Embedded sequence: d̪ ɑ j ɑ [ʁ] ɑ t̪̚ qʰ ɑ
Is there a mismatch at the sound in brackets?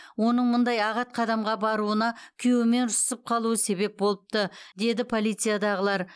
no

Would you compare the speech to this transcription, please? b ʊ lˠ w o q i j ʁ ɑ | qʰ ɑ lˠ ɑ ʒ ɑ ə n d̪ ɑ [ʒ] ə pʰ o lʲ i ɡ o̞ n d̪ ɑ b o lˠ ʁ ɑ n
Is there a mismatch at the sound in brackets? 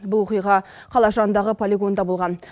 yes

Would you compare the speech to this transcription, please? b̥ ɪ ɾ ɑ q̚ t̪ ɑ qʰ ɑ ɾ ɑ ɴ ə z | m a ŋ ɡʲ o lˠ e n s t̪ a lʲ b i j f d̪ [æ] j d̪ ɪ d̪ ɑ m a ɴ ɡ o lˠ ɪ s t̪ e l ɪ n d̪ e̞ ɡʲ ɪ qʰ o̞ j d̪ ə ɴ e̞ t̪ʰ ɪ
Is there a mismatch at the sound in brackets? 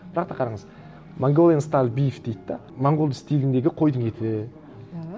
yes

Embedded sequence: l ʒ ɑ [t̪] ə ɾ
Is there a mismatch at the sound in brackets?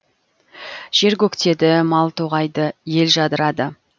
yes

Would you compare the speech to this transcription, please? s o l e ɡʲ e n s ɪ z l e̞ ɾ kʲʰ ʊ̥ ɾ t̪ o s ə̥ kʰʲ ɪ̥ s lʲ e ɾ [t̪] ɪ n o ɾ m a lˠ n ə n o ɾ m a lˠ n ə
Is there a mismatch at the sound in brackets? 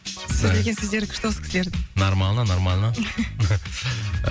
yes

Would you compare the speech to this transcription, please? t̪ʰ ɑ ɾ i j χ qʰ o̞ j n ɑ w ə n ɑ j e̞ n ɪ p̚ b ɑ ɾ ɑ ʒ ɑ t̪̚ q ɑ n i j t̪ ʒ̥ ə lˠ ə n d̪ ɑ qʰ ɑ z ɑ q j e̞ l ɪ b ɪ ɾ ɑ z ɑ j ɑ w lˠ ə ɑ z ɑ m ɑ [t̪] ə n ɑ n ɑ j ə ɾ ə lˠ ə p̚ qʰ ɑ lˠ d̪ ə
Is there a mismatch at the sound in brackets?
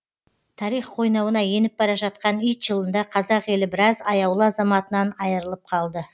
no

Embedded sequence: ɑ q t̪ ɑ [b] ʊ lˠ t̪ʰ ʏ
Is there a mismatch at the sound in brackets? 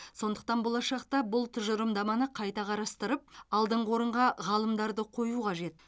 no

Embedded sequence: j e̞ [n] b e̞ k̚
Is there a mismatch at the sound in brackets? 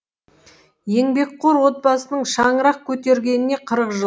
yes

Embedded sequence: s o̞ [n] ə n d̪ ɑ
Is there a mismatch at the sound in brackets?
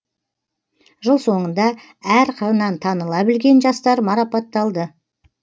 yes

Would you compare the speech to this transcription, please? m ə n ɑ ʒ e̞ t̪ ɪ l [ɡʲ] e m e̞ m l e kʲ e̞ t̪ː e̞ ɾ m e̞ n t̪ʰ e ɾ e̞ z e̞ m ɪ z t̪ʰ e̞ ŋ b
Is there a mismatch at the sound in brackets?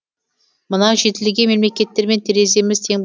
no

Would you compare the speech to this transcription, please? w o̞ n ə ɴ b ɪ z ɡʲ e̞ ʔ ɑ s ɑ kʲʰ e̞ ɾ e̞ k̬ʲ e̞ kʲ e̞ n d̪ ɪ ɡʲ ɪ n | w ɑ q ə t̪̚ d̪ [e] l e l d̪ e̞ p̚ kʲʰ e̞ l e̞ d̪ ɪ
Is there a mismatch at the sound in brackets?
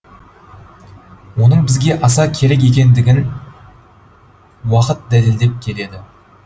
yes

